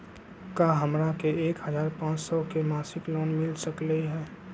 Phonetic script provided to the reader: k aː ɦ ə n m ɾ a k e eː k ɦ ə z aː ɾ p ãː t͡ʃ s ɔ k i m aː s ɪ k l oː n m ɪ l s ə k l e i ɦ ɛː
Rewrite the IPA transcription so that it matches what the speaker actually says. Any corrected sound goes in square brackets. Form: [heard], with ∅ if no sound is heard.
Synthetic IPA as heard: k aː ɦ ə [∅] m ɾ a k e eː k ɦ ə z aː ɾ p ãː t͡ʃ s ɔ k [e] m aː s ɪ k l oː n m ɪ l s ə k l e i ɦ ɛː